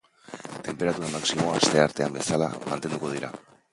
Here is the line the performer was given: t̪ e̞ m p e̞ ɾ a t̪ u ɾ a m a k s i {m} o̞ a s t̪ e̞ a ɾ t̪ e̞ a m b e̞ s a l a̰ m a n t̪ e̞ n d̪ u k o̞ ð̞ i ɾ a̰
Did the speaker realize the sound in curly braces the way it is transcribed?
yes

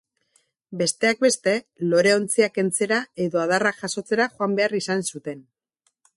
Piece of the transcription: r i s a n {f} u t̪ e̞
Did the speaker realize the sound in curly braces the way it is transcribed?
no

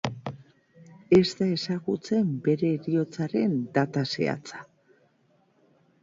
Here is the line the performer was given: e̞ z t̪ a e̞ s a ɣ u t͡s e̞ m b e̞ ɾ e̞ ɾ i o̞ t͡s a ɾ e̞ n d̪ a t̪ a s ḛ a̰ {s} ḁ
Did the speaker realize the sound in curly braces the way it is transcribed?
no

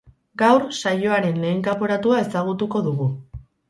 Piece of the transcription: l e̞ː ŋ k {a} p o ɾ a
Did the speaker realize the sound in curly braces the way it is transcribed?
yes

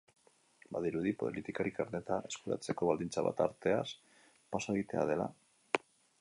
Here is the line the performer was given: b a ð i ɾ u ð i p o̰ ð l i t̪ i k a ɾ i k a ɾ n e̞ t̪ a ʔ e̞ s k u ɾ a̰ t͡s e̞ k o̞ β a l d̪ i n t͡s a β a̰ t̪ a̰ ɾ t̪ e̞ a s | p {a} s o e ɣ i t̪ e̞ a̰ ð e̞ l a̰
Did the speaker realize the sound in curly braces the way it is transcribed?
yes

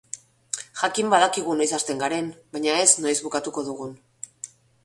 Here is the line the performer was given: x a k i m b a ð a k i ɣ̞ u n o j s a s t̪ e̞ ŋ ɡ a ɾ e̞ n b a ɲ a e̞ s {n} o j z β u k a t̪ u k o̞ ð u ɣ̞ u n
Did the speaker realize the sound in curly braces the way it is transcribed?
yes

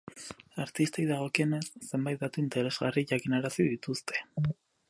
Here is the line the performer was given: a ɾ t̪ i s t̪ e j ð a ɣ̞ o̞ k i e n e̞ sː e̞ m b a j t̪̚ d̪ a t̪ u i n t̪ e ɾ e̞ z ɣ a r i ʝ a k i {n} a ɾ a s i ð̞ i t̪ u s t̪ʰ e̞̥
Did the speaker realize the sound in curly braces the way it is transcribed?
yes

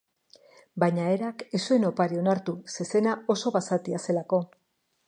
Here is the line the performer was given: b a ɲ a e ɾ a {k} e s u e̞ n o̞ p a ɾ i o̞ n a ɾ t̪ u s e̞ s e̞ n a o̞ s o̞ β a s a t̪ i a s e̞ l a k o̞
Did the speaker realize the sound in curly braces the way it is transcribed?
yes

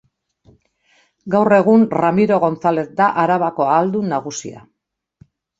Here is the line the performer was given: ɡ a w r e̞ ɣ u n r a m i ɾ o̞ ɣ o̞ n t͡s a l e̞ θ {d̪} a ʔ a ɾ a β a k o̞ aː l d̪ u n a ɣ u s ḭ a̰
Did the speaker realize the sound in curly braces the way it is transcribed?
yes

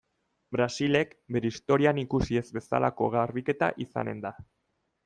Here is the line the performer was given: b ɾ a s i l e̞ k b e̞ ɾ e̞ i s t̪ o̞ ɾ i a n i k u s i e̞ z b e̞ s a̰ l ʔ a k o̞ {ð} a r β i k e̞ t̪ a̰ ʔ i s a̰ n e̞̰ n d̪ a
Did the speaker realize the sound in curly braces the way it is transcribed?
no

